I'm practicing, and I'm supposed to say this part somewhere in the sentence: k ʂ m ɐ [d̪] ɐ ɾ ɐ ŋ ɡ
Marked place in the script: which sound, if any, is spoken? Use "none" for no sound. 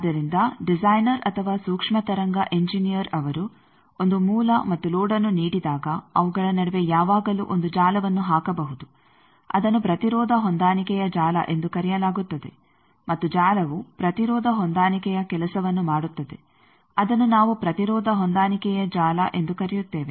t̪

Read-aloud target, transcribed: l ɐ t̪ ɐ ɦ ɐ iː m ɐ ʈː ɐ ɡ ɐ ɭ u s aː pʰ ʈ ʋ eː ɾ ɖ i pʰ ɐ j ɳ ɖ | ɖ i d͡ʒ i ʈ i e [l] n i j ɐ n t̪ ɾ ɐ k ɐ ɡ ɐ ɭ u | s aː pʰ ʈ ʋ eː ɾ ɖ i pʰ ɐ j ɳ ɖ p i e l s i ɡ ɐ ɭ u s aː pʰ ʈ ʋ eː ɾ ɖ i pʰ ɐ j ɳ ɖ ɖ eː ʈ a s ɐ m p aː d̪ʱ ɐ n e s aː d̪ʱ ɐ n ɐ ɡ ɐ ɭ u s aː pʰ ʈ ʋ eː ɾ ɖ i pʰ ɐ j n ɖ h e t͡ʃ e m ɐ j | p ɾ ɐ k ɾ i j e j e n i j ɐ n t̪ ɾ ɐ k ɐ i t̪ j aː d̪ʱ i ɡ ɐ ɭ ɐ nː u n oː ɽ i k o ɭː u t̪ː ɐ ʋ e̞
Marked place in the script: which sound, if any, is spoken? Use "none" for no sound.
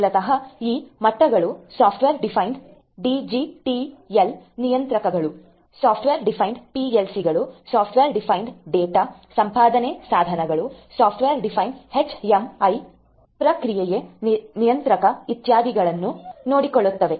l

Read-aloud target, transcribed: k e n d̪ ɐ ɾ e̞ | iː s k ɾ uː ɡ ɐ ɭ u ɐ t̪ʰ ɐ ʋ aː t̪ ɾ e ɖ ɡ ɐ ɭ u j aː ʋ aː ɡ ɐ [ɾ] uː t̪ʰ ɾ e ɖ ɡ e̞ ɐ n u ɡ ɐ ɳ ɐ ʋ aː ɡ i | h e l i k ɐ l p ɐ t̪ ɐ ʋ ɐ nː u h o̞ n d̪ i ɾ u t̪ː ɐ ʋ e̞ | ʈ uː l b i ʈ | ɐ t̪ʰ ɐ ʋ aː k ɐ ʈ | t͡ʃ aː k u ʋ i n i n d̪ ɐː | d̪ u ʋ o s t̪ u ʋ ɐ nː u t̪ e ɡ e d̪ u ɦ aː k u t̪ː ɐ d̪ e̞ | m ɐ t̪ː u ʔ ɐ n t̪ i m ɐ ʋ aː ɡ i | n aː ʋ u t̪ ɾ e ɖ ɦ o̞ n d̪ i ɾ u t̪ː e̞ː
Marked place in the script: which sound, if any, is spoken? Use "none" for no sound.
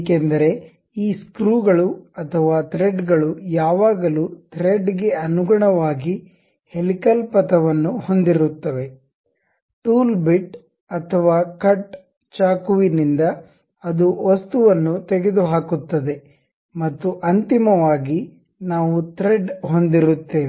l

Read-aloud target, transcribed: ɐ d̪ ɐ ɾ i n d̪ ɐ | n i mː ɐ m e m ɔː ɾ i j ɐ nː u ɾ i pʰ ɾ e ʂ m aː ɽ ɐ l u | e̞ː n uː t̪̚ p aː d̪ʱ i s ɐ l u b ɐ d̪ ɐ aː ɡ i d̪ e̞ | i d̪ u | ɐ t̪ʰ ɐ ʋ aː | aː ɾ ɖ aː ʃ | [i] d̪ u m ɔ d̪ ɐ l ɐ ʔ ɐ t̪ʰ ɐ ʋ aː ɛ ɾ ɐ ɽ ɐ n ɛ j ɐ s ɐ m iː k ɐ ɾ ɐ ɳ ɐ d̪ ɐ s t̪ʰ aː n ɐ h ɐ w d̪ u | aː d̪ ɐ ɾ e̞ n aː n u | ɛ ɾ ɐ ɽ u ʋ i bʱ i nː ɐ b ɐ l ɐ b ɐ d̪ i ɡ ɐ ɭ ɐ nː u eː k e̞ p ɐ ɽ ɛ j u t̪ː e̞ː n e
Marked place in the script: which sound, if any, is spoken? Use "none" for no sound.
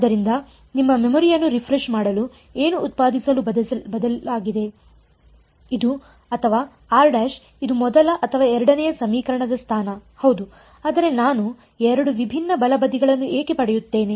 i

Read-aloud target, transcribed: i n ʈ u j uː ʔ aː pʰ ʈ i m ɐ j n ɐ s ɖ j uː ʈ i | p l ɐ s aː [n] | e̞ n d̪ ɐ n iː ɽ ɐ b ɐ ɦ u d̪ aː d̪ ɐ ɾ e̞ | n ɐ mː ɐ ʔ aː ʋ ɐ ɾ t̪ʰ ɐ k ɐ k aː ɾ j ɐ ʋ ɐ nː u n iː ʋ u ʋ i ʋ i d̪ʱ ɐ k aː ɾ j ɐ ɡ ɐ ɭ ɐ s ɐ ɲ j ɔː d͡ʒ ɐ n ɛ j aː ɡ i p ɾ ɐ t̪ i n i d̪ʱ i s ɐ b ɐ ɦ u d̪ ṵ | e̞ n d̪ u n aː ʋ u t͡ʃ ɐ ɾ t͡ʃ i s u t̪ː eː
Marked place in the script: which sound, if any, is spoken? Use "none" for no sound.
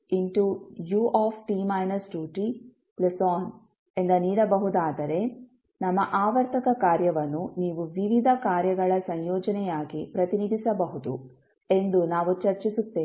n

